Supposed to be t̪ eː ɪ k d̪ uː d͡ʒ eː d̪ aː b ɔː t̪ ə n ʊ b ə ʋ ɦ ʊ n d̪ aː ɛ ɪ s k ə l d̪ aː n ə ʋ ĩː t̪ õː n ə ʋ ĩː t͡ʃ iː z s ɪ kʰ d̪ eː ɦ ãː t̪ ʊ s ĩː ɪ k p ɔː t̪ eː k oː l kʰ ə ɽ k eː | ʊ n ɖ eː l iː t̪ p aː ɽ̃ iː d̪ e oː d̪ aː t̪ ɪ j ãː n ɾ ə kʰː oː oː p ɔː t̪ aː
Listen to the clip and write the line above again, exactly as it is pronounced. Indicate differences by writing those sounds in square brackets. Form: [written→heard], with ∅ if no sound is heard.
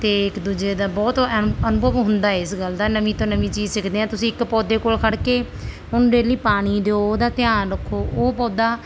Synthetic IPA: t̪ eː ɪ k d̪ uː d͡ʒ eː d̪ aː b ɔː t̪ ə n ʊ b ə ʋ ɦ ʊ n d̪ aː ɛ ɪ s [k→ɡ] ə l d̪ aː n ə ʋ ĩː t̪ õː n ə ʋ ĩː t͡ʃ iː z s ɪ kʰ d̪ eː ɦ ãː t̪ ʊ s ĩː ɪ k p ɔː [t̪→d̪] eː k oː l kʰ ə ɽ k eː | ʊ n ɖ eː l iː [t̪→∅] p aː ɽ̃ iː d̪ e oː d̪ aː t̪ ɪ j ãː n ɾ ə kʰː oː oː p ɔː [t̪→d̪] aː